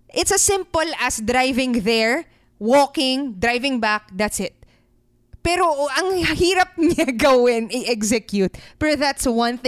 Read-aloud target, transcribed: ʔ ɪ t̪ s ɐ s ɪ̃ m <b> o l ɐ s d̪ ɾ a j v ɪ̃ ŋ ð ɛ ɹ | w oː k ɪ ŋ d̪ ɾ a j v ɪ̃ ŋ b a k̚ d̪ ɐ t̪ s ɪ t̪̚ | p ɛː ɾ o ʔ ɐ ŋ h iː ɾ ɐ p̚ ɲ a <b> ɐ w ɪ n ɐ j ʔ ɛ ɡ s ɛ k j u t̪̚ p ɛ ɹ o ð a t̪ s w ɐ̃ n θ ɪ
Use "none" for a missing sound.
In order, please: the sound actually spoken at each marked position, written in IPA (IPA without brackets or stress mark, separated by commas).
p, ɡ